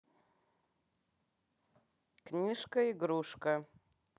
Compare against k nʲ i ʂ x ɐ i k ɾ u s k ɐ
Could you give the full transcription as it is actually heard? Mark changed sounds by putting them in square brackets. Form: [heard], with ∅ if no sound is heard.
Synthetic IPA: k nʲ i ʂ [k] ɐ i [ɡ] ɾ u [ʂ] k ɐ